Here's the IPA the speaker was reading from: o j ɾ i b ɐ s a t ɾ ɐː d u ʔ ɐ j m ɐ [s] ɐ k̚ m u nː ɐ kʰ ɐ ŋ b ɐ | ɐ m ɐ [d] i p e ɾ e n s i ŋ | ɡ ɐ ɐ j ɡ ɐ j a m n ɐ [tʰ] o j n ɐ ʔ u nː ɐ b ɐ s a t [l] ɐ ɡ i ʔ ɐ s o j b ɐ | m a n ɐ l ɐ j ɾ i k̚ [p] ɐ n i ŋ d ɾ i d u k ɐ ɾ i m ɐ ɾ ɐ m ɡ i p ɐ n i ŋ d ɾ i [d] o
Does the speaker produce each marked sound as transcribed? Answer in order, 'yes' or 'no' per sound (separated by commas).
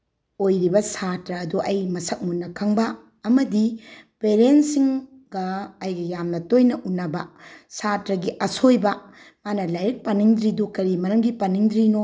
yes, yes, no, no, yes, no